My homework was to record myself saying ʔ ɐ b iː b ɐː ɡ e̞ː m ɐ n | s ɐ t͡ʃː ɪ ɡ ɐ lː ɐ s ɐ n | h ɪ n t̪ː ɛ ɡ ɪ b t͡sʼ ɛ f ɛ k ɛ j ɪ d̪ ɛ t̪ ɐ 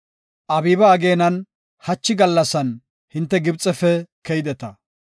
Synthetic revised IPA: ʔ ɐ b iː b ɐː ɡ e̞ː n ɐ n | h ɐ t͡ʃː ɪ ɡ ɐ lː ɐ s ɐ n | h ɪ n t̪ː ɛ ɡ ɪ b t͡sʼ ɛ f ɛ k ɛ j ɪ d̪ ɛ t̪ ɐ